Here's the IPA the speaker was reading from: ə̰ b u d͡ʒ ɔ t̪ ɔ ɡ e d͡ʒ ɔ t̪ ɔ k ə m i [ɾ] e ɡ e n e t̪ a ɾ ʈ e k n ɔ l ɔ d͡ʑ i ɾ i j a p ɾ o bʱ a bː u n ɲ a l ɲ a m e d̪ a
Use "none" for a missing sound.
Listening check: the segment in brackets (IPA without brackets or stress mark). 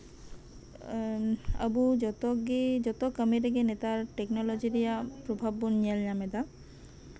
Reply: ɾ